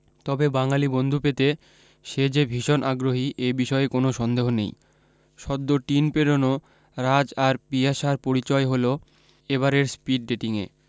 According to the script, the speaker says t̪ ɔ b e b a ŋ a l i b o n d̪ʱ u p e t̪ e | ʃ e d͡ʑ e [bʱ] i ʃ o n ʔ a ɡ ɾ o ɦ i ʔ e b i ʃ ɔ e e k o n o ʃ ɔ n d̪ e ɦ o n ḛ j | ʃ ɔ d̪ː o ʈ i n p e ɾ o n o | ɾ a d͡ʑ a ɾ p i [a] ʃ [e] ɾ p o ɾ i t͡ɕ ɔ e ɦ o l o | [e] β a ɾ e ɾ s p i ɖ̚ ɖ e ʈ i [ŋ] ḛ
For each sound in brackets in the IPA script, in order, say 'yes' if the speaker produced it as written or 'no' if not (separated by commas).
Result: yes, yes, no, yes, yes